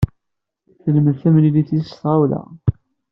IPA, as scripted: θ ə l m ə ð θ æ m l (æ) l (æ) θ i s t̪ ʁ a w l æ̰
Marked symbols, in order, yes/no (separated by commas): no, no